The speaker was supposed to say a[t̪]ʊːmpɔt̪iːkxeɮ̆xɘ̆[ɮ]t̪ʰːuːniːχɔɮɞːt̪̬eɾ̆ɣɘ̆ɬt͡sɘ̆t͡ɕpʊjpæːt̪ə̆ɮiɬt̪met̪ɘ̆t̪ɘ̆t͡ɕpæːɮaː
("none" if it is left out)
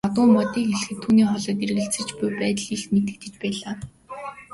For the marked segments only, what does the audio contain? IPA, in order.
t̪, none

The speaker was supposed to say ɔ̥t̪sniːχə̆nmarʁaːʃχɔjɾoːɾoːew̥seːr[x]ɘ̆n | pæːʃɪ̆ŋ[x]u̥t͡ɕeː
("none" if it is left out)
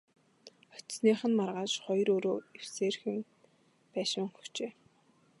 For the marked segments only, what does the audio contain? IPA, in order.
x, x

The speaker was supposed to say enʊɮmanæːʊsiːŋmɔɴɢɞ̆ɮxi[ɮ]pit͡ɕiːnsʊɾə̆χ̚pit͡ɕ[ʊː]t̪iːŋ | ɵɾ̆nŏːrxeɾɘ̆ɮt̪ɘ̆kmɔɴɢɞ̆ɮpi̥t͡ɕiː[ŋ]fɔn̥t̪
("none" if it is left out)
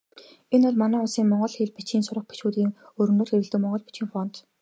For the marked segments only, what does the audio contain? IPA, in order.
ɮ, uː, ŋ

